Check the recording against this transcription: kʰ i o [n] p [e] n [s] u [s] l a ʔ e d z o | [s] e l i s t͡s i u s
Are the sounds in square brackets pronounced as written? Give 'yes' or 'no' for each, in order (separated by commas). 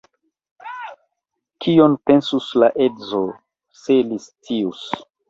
yes, yes, yes, yes, yes